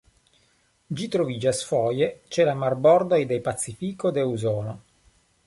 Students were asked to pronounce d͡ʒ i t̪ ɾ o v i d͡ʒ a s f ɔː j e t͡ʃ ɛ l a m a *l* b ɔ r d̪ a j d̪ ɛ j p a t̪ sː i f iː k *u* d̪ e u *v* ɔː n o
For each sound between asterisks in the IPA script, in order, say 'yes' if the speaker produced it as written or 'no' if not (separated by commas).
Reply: no, no, no